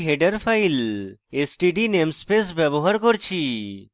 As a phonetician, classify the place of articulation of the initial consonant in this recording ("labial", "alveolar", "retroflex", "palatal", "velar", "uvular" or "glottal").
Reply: glottal